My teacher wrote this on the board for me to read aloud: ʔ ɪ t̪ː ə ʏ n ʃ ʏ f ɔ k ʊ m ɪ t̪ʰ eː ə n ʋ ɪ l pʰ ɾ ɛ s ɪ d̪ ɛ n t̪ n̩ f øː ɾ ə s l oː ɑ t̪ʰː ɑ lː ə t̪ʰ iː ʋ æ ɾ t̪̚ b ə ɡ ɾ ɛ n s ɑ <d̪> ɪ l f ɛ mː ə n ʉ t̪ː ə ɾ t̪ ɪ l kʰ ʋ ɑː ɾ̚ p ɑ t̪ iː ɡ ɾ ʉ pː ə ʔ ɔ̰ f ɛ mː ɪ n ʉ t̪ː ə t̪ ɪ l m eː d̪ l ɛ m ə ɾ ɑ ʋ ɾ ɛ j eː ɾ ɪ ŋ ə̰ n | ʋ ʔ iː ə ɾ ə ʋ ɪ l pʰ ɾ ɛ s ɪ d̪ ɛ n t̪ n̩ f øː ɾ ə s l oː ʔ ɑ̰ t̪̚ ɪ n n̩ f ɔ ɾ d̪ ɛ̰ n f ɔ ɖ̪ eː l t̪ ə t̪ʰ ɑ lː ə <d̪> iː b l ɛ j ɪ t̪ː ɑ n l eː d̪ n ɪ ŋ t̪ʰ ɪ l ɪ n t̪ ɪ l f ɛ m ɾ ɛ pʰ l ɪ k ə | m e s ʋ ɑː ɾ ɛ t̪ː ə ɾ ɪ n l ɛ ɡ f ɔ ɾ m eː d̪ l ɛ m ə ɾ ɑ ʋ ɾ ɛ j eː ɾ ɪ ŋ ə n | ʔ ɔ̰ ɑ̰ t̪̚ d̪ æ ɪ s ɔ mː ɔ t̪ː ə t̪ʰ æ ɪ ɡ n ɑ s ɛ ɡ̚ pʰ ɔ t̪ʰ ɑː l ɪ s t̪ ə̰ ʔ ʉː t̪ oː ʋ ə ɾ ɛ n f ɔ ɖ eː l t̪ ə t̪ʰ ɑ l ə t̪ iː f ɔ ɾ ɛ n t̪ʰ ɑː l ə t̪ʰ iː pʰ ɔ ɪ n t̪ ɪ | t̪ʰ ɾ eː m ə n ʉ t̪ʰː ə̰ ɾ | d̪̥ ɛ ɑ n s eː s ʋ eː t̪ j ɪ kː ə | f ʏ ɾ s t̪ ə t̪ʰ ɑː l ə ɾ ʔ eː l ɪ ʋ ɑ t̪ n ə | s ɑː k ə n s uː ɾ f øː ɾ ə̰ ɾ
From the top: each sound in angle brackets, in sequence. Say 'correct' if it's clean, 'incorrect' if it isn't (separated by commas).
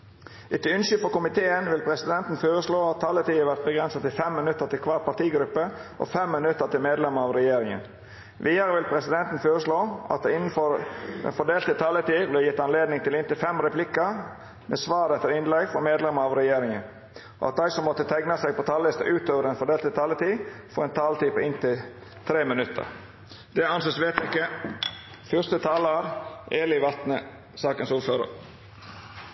incorrect, incorrect